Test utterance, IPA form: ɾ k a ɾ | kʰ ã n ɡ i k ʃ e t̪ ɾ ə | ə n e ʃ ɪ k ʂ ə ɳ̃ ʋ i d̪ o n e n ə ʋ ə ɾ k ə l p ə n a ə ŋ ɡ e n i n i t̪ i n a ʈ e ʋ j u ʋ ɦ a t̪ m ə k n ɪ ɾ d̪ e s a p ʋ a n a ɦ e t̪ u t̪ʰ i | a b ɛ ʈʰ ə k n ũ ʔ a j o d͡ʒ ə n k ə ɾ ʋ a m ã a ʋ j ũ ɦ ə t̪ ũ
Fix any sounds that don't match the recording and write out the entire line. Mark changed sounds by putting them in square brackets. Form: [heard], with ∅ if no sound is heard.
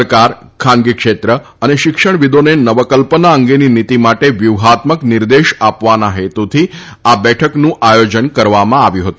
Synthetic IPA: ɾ k a ɾ | kʰ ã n ɡ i k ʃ e t̪ ɾ ə | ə n e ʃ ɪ k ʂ ə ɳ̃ ʋ i d̪ o n e n ə ʋ ə [∅] k ə l p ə n a ə ŋ ɡ e n i n i t̪ i [m] a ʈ e ʋ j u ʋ ɦ a t̪ m ə k n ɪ ɾ d̪ e [ʃ] a p ʋ a n a ɦ e t̪ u t̪ʰ i | a b ɛ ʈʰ ə k n ũ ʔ a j o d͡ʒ ə n k ə ɾ ʋ a m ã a ʋ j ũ ɦ ə t̪ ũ